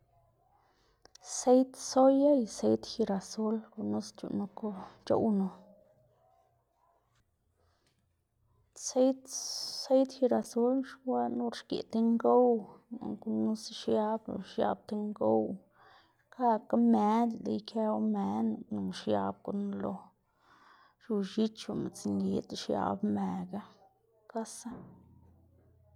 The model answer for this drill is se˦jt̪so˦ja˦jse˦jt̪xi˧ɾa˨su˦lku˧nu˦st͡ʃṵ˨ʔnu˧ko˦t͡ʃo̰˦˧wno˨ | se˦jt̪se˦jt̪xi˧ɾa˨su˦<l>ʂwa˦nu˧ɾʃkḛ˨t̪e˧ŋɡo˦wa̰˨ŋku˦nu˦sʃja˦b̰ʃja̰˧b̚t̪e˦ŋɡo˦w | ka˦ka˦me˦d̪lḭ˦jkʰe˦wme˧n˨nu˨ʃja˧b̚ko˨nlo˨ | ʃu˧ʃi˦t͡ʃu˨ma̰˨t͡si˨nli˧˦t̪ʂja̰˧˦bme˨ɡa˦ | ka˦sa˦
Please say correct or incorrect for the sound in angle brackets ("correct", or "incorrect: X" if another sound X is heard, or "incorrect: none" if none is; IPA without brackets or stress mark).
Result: correct